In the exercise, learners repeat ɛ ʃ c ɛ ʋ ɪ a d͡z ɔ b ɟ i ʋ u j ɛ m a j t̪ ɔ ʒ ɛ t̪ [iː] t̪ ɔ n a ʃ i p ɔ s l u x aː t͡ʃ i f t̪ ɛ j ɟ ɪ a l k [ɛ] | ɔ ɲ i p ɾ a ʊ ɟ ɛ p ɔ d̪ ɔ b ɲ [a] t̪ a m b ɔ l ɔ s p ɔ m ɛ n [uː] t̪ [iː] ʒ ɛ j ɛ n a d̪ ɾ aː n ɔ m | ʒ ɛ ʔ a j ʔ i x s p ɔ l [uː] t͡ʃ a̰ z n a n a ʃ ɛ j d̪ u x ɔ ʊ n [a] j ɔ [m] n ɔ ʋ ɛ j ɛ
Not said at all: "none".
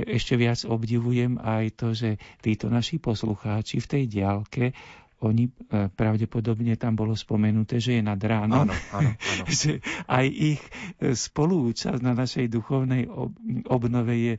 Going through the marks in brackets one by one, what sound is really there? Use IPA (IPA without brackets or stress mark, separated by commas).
iː, ɛ, ɛ, u, ɛː, uː, ɛ, b